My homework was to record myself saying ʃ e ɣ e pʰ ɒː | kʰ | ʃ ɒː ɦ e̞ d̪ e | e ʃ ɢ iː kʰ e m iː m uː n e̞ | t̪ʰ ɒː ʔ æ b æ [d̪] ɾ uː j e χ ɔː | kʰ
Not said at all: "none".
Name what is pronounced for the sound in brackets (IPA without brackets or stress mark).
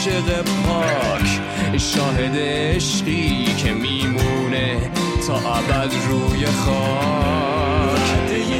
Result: d̪